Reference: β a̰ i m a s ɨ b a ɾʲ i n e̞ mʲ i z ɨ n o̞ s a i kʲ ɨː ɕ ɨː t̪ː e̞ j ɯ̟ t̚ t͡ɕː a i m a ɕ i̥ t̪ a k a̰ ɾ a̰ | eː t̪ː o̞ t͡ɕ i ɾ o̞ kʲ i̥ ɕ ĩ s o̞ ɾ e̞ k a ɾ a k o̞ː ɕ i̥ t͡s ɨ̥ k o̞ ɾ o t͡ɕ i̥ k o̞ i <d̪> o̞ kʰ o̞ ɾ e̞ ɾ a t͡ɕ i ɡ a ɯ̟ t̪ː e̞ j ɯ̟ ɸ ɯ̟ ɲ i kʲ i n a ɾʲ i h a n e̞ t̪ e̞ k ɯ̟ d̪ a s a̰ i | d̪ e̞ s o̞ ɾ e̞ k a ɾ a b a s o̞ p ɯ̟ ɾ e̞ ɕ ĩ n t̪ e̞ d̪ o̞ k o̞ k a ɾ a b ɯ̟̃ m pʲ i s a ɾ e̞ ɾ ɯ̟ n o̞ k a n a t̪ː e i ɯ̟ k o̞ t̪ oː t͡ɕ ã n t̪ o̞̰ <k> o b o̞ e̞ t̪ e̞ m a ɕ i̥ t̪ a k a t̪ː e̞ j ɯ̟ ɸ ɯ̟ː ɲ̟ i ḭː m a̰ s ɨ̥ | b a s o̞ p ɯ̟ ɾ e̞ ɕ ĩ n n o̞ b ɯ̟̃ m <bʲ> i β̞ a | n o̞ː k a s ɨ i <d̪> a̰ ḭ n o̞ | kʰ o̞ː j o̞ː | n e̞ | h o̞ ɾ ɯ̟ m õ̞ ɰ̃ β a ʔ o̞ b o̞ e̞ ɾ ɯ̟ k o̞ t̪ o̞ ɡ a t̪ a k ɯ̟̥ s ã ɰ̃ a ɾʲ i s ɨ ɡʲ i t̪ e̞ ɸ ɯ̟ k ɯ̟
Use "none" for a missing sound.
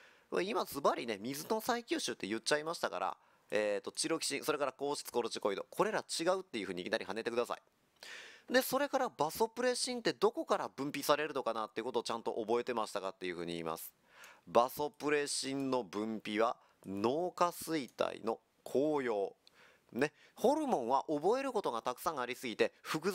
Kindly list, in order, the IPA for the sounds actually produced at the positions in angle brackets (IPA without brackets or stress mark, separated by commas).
d̪, ʔ, pʲ, t̪